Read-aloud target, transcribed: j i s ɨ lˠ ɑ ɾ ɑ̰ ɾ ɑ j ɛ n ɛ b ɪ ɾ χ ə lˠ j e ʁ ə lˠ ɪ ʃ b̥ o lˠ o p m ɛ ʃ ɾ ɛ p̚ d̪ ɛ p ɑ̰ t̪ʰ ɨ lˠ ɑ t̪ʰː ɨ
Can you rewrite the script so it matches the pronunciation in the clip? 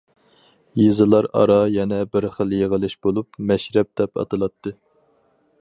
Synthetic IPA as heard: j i z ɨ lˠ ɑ ɾ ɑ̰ ɾ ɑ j ɛ n ɛ b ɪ ɾ χ ə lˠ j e ʁ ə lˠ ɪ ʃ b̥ o lˠ u p m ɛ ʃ ɾ ɛ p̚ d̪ ɛ p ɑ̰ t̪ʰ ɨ lˠ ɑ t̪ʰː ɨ